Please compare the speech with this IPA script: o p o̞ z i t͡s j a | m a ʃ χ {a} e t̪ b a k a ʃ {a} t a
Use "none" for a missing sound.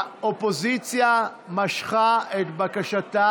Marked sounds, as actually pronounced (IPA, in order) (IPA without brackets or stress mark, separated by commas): a, a